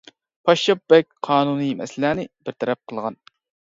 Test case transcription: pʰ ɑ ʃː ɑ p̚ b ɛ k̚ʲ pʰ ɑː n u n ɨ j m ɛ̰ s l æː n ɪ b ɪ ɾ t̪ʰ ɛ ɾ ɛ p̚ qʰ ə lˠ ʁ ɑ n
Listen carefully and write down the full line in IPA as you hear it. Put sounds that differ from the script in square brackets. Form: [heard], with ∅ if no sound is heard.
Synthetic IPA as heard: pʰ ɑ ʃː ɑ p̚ b ɛ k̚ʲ [qʰ] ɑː n u n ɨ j m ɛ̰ s l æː n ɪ b ɪ ɾ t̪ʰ ɛ ɾ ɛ p̚ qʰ ə lˠ ʁ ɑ n